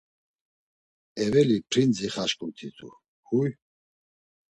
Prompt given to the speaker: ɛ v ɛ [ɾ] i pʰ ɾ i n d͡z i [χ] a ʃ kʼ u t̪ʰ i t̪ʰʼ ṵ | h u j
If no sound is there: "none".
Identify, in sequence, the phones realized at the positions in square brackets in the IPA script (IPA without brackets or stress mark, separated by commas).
l, χ